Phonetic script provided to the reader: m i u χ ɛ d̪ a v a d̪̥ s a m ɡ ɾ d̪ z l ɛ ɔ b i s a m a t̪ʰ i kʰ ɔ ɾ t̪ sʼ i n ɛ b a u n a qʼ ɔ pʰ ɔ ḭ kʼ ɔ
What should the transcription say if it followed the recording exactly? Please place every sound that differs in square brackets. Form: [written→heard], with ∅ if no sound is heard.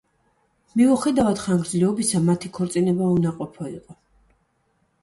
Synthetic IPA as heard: m i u χ ɛ d̪ a v a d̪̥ [s→χ] a [m→ŋ] ɡ ɾ d̪ z l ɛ ɔ b i s a m a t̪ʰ i kʰ ɔ ɾ t̪ sʼ i n ɛ b a u n a qʼ ɔ pʰ ɔ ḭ [kʼ→qʼ] ɔ